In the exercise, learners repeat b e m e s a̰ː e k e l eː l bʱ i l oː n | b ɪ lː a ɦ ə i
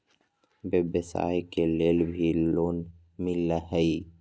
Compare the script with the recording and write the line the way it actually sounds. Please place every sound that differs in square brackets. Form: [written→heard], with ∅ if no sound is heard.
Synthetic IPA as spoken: b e [m→b] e s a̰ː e k e l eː l bʱ i l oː n | [b→m] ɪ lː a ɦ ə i